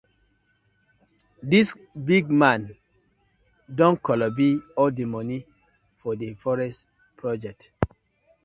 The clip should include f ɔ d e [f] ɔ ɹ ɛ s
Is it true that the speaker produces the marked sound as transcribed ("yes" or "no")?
yes